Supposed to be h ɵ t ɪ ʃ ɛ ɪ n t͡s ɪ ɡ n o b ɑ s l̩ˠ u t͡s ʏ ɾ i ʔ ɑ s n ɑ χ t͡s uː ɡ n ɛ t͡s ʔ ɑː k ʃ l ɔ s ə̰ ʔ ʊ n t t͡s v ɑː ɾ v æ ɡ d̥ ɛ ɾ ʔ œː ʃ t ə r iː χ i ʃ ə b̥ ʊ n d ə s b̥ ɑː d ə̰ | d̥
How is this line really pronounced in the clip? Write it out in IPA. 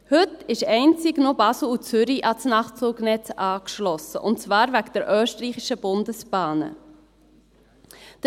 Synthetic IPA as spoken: h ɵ t ɪ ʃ ɛ ɪ n t͡s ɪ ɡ n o b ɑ s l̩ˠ u t͡s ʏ ɾ i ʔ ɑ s n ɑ χ t͡s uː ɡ n ɛ t͡s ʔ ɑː k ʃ l ɔ s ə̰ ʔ ʊ n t t͡s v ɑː ɾ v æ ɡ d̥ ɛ ɾ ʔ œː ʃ t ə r iː χ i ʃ ə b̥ ʊ n d ə s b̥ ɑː n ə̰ | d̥